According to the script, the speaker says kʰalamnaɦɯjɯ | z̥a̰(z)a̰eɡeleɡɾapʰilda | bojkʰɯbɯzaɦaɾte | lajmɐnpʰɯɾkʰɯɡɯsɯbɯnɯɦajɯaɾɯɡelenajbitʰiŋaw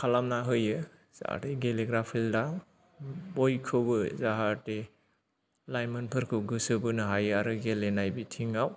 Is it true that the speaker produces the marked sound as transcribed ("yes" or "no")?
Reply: no